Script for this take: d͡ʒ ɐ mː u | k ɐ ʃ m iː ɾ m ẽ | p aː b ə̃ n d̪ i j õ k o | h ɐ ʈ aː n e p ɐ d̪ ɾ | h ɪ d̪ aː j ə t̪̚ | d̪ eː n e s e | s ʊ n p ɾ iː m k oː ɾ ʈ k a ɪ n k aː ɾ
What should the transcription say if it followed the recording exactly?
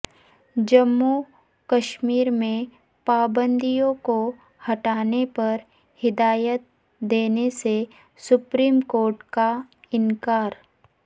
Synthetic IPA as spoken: d͡ʒ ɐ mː u | k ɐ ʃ m iː ɾ m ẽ | p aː b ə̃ n d̪ i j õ k o | h ɐ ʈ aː n e p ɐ ɾ | h ɪ d̪ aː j ə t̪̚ | d̪ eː n e s e | s ʊ p ɾ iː m k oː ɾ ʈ k a ɪ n k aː ɾ

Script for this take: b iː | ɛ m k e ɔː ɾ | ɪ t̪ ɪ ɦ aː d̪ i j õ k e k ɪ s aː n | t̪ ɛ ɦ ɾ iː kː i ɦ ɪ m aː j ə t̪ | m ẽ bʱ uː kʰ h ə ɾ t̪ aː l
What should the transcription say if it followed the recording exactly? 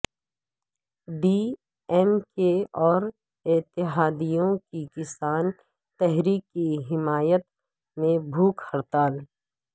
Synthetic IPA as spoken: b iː | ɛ m k e ɔː ɾ | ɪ t̪ ɪ ɦ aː d̪ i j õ k i k ɪ s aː n | t̪ ɛ ɦ ɾ iː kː i ɦ ɪ m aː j ə t̪ | m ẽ bʱ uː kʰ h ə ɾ t̪ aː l

